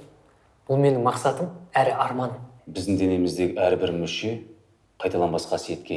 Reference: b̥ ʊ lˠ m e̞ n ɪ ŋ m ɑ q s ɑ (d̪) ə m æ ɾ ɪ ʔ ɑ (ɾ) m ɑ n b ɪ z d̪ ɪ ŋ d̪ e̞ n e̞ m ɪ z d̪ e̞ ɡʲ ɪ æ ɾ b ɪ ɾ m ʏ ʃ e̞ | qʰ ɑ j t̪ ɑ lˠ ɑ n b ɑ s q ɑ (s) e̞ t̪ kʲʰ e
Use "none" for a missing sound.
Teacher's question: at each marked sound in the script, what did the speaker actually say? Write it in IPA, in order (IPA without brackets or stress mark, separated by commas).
t̪, ɾ, s